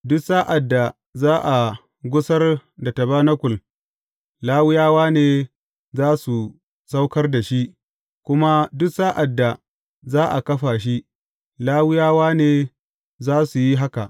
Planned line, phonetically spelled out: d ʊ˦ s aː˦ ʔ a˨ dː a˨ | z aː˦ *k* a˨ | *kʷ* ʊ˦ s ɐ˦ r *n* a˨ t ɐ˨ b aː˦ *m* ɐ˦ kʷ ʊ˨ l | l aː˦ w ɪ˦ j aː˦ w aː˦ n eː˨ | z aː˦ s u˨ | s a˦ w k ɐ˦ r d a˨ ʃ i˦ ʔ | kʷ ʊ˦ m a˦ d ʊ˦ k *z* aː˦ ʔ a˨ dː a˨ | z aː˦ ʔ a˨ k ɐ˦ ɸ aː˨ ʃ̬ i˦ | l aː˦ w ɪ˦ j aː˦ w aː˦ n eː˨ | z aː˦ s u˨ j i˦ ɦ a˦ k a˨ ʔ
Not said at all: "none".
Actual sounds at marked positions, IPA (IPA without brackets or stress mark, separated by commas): ʔ, ɡʷ, d, n, s